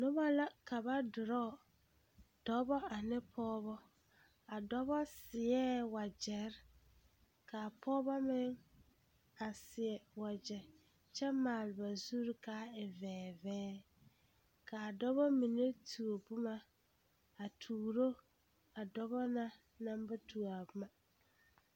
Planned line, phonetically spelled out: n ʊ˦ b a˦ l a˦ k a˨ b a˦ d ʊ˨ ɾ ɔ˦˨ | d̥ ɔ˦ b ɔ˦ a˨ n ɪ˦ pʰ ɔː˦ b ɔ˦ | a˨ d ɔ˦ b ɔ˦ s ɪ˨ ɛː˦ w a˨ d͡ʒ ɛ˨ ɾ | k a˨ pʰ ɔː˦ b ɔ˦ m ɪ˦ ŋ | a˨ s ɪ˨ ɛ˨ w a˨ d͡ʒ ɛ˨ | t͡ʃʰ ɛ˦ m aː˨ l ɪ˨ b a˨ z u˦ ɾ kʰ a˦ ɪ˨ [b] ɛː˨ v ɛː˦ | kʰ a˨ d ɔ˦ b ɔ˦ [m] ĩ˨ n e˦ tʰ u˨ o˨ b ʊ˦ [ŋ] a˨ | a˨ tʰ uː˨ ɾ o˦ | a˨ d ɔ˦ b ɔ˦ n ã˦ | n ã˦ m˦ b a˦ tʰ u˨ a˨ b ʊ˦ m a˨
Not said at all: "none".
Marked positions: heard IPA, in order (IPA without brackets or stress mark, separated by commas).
v, m, m